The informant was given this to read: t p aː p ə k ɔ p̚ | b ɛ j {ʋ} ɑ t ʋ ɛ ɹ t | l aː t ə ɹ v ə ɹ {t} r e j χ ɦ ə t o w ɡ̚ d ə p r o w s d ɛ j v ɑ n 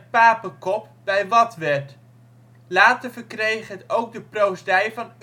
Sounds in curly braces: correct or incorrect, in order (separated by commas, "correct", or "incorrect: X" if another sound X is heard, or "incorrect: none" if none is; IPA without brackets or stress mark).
correct, incorrect: k